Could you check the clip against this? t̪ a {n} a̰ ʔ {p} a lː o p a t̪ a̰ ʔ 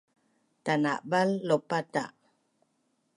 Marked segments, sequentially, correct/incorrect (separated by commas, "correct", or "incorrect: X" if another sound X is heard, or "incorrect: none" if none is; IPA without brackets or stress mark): correct, incorrect: b